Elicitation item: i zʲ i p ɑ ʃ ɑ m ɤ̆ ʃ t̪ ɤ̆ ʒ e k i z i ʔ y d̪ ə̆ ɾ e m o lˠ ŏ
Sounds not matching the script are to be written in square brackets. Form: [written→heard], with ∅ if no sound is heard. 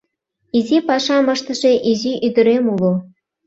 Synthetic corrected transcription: i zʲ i p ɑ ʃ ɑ m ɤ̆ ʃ t̪ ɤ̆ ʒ e [k→ʔ] i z i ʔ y d̪ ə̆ ɾ e m [o→u] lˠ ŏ